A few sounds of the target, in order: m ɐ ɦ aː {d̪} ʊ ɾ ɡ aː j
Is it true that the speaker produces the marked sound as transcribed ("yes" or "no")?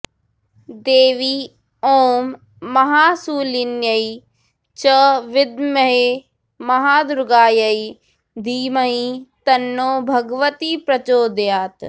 yes